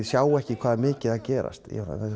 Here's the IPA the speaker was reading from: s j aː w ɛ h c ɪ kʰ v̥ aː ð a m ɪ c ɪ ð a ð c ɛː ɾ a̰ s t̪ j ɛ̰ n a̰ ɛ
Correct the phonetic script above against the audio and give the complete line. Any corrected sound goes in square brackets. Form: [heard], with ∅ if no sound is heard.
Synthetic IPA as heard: s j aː w ɛ h c ɪ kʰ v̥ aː ð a m [ɪː] c ɪ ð a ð c ɛː ɾ a̰ s t̪ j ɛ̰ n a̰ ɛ